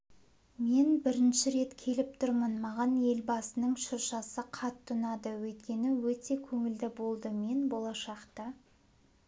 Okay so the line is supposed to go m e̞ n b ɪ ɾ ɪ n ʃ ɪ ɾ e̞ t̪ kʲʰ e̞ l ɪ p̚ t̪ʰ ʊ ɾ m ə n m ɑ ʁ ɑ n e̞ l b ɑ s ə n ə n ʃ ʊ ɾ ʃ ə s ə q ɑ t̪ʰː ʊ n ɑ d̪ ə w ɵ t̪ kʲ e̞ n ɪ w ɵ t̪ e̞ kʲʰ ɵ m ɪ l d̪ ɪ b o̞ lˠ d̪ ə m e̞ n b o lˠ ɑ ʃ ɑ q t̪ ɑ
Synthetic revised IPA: m e̞ n b ɪ ɾ ɪ n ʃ ɪ ɾ e̞ t̪ kʲʰ e̞ l ɪ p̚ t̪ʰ ʊ ɾ m ə n m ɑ ʁ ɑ n e̞ l b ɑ s ə n ə ɴ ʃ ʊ ɾ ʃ ɑ s ə qʰ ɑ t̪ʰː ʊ n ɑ d̪ ə w ɵ t̪ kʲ e̞ n ɪ w ɵ t̪ e̞ kʲʰ ɵ ŋ ɪ l d̪ ɪ b o̞ lˠ d̪ ə m e̞ n b o lˠ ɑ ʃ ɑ q t̪ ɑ